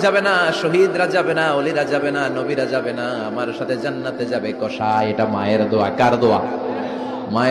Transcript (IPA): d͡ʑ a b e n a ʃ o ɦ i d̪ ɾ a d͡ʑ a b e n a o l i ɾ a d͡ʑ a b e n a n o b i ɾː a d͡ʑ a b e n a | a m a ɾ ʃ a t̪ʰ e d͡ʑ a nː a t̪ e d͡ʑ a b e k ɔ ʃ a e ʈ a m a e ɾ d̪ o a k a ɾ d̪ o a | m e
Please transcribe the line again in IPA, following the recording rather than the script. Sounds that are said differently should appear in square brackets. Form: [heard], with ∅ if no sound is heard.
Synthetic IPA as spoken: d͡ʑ a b e n a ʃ o ɦ i d̪ ɾ a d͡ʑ a b e n a o l i ɾ a d͡ʑ a b e n a n o b i [ɾ] a d͡ʑ a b e n a | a m a ɾ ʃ a t̪ʰ e d͡ʑ a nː a t̪ e d͡ʑ a b e k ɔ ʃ a e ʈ a m a e ɾ d̪ o a k a ɾ d̪ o a | m [a]